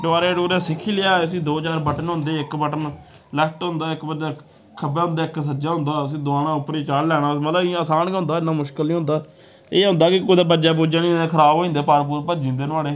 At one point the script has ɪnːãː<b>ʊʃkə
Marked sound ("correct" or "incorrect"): incorrect